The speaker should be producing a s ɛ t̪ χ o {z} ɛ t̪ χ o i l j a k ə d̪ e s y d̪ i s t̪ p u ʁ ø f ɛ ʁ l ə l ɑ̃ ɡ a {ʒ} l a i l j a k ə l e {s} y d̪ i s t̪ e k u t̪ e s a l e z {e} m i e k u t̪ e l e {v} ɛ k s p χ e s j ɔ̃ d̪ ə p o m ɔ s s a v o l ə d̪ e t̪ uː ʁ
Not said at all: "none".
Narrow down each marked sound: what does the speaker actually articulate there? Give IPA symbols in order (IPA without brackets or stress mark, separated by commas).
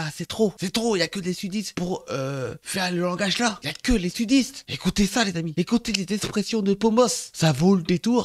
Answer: s, ʒ, s, a, z